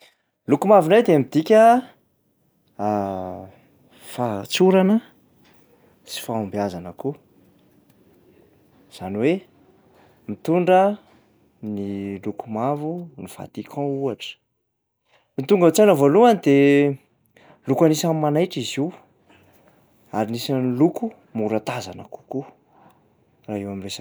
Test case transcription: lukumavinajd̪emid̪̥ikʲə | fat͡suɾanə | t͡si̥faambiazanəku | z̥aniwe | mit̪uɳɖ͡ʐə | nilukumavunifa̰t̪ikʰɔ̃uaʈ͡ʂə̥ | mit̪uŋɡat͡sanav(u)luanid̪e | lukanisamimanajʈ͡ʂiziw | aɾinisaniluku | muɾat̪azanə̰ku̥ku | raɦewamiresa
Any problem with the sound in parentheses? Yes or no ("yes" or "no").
yes